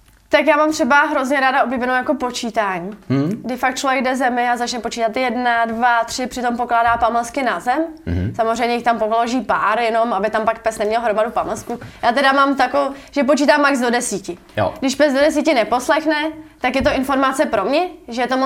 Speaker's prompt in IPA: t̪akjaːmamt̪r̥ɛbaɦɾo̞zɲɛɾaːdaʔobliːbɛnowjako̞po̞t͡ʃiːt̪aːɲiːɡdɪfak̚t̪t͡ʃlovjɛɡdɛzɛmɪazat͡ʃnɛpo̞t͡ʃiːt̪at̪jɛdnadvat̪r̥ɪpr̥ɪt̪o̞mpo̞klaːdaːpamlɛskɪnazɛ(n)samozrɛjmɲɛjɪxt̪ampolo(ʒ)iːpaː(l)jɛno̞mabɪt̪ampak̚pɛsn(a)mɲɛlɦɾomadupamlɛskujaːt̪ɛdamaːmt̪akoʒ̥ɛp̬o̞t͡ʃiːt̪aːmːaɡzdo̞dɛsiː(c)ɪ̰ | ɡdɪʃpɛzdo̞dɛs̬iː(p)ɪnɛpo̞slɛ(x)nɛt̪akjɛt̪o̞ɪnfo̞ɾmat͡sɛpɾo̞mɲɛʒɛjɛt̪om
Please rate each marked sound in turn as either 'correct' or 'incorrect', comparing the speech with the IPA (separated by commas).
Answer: incorrect, correct, incorrect, incorrect, correct, incorrect, correct